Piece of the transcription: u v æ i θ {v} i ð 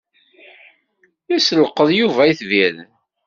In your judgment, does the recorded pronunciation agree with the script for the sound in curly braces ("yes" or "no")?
yes